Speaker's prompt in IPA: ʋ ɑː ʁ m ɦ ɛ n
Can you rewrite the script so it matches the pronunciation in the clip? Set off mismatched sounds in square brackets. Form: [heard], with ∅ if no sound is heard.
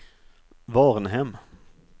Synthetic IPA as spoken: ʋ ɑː ʁ [n] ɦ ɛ [m]

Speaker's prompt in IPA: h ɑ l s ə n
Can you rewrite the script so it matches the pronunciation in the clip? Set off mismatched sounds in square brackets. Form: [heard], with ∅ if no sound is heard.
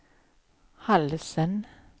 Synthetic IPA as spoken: h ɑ l s ə n

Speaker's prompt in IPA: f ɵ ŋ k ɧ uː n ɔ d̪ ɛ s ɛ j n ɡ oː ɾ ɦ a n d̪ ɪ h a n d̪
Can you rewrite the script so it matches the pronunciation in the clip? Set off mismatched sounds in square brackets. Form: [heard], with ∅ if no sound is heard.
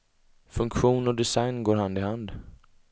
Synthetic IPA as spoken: f ɵ ŋ k ɧ uː n ɔ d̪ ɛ s [a] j n ɡ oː ɾ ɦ a n d̪ ɪ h a n d̪

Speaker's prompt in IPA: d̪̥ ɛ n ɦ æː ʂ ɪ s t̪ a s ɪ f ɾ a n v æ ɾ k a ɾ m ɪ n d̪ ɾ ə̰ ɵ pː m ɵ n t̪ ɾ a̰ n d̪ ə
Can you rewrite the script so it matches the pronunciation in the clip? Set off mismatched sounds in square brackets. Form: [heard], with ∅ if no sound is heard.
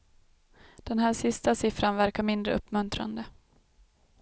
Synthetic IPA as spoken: d̪̥ ɛ n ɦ æː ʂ ɪ s t̪ a s ɪ f ɾ a n v æ ɾ k a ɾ m ɪ n d̪ ɾ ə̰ ɵ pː m ɵ n t̪ ɾ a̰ n d̪ ə

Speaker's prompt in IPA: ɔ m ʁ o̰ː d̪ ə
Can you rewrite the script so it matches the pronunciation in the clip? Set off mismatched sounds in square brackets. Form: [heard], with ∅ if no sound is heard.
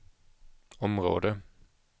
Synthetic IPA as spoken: ɔ m ʁ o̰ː d̪ ə

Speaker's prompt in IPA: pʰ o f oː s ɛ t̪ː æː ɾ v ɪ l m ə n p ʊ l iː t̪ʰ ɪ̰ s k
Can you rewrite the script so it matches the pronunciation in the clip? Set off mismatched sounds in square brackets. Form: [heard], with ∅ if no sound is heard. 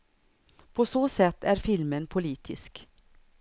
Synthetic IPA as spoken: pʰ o [s] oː s ɛ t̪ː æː ɾ [f] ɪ l m ə n [pʰ] ʊ l iː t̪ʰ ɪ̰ s k

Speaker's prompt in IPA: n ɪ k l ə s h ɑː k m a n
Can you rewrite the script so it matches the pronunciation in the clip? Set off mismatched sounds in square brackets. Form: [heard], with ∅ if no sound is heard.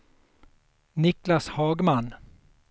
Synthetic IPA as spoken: n ɪ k l [a] s h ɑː [ɡ] m a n

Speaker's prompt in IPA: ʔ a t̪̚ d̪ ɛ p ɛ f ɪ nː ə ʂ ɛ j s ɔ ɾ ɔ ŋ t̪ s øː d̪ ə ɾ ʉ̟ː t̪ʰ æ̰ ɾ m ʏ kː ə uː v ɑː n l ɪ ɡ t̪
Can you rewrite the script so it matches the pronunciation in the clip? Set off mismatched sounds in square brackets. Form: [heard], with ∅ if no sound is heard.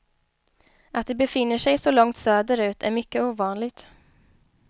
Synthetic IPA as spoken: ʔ a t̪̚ d̪ ɛ [b] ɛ f ɪ nː ə ʂ ɛ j s ɔ [l] ɔ ŋ t̪ s øː d̪ ə ɾ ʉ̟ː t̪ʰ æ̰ ɾ m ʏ kː ə uː v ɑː n l ɪ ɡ t̪

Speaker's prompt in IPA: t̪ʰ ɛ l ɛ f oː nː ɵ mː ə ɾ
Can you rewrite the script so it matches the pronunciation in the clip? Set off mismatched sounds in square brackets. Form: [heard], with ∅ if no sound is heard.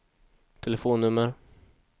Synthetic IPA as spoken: t̪ʰ ɛ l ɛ f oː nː ɵ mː ə ɾ

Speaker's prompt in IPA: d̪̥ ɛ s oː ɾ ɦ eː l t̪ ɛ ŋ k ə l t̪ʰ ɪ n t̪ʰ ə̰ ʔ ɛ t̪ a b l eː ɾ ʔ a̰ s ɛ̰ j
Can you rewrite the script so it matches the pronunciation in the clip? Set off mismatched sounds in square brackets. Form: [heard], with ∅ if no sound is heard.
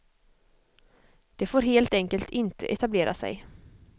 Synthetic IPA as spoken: d̪̥ ɛ [f] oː ɾ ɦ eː l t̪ ɛ ŋ k ə l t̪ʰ ɪ n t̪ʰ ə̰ ʔ ɛ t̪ a b l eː ɾ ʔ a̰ s ɛ̰ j

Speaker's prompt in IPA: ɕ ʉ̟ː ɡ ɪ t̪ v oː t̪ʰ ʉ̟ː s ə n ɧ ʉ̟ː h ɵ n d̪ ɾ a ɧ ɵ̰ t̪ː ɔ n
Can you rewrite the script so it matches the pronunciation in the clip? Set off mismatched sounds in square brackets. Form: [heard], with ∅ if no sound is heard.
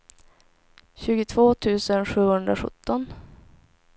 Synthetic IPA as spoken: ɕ ʉ̟ː ɡ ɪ [t̪ʰ] v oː t̪ʰ ʉ̟ː s ə n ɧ ʉ̟ː h ɵ n d̪ ɾ a ɧ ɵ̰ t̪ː ɔ n

